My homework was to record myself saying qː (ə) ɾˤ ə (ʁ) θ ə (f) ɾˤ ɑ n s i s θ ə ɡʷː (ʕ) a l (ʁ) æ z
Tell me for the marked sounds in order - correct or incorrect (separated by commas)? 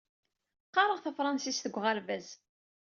incorrect, correct, correct, incorrect, incorrect